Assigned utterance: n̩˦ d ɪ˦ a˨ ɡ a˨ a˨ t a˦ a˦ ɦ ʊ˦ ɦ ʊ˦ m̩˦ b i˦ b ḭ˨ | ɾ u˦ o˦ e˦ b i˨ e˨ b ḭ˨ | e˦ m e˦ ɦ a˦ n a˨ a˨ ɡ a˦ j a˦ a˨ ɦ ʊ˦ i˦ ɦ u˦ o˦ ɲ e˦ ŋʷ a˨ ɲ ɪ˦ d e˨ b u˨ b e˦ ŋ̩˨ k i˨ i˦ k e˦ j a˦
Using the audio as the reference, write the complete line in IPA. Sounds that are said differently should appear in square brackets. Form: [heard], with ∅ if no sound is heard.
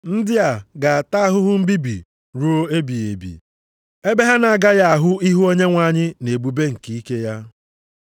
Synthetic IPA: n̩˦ d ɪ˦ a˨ ɡ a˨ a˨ t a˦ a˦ ɦ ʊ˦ ɦ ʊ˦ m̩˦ b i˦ b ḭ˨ | ɾ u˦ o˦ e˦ b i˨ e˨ b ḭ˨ | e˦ [b] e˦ ɦ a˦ n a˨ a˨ ɡ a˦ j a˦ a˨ ɦ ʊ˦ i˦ ɦ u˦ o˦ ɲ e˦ ŋʷ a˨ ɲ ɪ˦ [n] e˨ b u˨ b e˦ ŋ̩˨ k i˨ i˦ k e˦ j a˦

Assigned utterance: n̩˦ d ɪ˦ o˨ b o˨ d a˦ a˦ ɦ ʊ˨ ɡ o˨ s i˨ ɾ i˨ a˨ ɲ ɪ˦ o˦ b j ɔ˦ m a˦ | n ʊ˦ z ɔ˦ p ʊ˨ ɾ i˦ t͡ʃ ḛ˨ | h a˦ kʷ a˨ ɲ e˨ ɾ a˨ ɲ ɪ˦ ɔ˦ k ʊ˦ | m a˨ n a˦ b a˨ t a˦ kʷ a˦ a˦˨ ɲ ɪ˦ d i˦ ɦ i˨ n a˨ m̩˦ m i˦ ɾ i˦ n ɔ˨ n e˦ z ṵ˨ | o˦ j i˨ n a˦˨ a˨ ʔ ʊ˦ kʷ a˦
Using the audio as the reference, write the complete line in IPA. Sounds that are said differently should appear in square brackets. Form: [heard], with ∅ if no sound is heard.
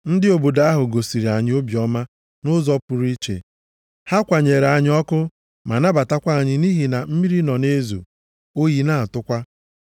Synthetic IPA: n̩˦ d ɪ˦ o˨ b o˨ d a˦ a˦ ɦ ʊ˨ ɡ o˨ s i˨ ɾ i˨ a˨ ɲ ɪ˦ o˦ b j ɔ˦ m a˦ | n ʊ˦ z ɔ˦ p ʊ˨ ɾ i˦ t͡ʃ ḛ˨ | h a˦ kʷ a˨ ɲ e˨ ɾ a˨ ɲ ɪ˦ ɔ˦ k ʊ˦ | m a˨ n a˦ b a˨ t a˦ kʷ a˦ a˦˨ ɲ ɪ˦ [n] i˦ ɦ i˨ n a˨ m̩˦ m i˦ ɾ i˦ n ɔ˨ n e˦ z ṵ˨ | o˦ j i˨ n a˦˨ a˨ [t] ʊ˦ kʷ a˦

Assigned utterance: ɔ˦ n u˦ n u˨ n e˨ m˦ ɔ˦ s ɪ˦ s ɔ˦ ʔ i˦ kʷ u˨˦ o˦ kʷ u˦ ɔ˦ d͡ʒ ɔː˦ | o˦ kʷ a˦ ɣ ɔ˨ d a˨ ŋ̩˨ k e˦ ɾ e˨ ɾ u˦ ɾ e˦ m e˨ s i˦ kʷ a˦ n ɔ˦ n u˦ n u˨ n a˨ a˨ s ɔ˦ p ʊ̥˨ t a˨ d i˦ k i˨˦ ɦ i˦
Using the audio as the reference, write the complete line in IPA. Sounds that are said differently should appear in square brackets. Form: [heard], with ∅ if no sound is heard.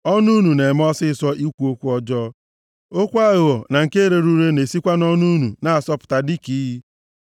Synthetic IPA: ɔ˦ n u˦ n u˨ n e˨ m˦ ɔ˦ s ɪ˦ s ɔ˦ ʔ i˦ kʷ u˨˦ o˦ kʷ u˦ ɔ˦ d͡ʒ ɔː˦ | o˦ kʷ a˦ ɣ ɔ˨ [n] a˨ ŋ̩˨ k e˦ ɾ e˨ ɾ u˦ ɾ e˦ [n] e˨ s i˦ kʷ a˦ n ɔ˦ n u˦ n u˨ n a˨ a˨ s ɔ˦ p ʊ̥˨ t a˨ d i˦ k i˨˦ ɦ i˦

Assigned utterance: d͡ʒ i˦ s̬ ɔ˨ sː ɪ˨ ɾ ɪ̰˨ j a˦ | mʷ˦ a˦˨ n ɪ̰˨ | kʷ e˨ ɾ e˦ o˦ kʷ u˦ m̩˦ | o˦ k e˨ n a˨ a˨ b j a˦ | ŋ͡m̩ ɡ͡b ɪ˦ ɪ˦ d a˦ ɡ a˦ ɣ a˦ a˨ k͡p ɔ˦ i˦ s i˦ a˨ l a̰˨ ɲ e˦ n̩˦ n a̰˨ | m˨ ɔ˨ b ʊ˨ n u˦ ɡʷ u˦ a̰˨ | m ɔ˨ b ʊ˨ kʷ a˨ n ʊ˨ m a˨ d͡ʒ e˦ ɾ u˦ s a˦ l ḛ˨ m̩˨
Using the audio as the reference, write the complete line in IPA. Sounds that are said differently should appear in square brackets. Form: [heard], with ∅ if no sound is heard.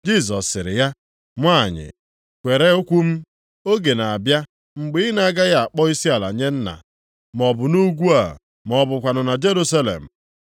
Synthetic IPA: d͡ʒ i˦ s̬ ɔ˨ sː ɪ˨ ɾ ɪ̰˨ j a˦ | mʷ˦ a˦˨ [ɲ] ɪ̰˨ | kʷ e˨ ɾ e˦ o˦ kʷ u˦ m̩˦ | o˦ [ɡ] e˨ n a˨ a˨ b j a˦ | ŋ͡m̩ ɡ͡b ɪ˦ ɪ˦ [n] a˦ ɡ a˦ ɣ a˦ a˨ k͡p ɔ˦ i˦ s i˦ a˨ l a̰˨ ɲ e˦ n̩˦ n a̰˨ | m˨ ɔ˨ b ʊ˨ n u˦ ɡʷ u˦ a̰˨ | m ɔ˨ b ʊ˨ kʷ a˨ n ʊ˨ [n] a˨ d͡ʒ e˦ ɾ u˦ s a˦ l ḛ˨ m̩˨

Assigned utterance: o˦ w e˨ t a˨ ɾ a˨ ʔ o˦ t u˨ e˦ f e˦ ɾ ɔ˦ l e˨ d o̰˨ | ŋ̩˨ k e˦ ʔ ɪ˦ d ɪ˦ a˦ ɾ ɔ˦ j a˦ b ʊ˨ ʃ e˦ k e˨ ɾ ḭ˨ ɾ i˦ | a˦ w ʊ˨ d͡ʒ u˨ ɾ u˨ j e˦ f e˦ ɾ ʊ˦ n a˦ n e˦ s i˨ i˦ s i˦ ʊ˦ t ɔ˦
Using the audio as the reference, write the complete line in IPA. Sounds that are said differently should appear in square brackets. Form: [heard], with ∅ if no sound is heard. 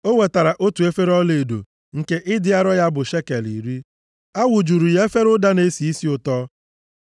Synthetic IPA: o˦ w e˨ t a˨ ɾ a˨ ʔ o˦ t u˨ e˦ f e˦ ɾ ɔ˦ l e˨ d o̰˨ | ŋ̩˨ k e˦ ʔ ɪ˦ d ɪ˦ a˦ ɾ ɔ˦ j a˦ b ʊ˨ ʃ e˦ k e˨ [l] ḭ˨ ɾ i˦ | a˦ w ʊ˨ d͡ʒ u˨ ɾ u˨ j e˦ f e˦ ɾ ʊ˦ [d] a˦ n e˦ s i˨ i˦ s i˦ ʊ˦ t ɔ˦

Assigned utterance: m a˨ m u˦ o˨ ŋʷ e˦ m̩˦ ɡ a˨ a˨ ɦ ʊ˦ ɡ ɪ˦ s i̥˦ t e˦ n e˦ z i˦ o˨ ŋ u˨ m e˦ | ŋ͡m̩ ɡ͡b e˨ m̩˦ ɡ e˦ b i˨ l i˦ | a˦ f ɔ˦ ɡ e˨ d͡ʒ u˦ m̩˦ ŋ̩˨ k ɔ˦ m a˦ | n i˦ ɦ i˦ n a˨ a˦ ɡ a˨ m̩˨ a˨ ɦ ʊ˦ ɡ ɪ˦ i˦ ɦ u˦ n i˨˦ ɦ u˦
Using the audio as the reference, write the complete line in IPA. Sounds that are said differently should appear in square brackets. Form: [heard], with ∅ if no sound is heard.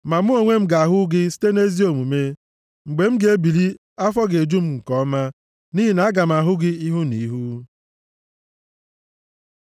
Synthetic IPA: m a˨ m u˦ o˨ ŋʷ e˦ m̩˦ ɡ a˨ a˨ ɦ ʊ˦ ɡ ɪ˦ s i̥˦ t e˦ n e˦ z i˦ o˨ [m] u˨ m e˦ | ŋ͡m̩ ɡ͡b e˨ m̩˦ ɡ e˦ b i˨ l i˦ | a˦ f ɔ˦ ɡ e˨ d͡ʒ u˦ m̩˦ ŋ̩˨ k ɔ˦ m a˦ | n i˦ ɦ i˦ n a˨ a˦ ɡ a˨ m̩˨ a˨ ɦ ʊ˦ ɡ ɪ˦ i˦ ɦ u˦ n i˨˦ ɦ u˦

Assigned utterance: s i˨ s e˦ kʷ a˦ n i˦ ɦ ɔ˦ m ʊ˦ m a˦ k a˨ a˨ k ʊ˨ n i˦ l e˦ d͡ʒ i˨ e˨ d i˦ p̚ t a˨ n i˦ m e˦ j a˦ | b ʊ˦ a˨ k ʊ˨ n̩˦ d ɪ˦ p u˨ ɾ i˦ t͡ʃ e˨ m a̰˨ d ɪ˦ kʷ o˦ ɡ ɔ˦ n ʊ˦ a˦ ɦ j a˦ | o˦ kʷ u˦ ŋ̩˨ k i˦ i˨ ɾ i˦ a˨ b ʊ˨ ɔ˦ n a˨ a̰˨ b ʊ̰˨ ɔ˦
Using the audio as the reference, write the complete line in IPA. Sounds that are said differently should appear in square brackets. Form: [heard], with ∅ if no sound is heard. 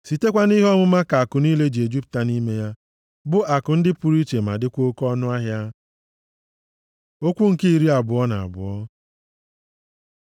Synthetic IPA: s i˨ [t] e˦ kʷ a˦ n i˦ ɦ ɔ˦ m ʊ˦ m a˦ k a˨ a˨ k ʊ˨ n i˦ l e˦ d͡ʒ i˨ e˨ [d͡ʒ] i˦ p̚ t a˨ n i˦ m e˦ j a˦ | b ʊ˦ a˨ k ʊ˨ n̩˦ d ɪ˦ p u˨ ɾ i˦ t͡ʃ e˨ m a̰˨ d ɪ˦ kʷ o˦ [k] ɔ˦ n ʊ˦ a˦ ɦ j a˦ | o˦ kʷ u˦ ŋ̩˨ k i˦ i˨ ɾ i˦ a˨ b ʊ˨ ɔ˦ n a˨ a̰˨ b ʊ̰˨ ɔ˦

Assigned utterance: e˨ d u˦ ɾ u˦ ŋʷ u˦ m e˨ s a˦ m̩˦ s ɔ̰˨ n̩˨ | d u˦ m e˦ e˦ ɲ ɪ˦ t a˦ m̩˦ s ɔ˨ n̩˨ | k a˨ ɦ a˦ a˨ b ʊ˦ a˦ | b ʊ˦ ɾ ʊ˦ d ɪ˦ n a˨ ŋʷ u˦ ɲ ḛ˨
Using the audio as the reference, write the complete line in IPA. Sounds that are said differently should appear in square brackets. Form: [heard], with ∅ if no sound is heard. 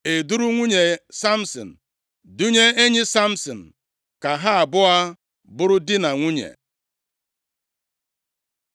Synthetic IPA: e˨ d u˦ ɾ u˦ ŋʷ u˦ [ɲ] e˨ s a˦ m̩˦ s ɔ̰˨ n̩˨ | d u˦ [ɲ] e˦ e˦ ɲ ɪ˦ [s] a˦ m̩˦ s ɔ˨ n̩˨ | k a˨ ɦ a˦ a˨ b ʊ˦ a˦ | b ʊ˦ ɾ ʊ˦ d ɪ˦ n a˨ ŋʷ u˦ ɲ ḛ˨

